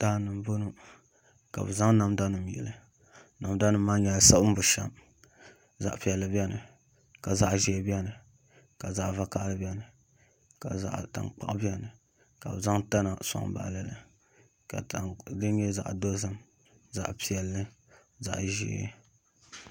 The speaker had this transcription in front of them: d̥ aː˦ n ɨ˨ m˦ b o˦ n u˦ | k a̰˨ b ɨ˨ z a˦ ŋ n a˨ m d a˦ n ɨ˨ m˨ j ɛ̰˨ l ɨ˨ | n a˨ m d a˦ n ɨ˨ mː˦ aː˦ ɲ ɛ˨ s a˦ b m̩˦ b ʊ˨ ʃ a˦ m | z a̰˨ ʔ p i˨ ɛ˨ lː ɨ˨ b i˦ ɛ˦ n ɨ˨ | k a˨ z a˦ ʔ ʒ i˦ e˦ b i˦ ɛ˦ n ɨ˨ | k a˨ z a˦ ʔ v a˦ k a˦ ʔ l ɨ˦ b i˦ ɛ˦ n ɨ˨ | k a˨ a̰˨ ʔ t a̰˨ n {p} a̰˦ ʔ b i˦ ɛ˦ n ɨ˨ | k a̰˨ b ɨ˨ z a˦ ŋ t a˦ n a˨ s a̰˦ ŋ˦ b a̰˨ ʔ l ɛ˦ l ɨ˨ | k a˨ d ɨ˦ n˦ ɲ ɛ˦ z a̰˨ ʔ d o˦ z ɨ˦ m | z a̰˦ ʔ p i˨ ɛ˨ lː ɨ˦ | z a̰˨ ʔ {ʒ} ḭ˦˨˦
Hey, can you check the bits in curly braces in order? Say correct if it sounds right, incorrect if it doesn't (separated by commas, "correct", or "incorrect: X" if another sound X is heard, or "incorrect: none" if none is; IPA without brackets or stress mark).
incorrect: k͡p, correct